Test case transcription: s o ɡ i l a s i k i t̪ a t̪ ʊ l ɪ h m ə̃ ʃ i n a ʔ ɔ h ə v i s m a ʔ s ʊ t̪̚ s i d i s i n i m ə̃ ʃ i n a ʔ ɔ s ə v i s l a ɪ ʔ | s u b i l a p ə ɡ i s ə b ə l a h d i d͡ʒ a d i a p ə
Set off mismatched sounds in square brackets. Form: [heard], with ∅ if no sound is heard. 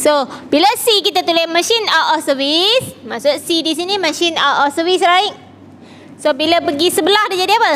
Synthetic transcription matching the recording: s o [b] i l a s i k i t̪ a t̪ [u] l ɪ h m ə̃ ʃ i n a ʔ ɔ [s] ə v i s m a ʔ s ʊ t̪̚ s i d i s i n i m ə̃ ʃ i n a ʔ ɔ s ə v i s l a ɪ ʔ | s [o] b i l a p ə ɡ i s ə b ə l a h d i d͡ʒ a d i a p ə